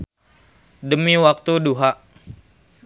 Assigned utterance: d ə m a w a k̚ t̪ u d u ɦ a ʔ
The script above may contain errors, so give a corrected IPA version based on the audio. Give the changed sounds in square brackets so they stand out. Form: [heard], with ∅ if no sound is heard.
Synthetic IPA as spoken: d ə m [i] w a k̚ t̪ u d u ɦ a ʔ